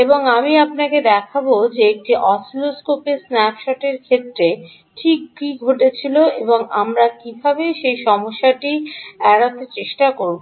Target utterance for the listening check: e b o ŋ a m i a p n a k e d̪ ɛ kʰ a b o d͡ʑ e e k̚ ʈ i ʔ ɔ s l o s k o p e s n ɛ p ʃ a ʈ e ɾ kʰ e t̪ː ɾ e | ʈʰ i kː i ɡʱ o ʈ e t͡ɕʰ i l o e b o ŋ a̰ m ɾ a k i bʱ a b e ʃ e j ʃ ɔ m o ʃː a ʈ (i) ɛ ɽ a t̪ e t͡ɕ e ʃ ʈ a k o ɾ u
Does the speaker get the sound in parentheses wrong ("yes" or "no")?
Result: no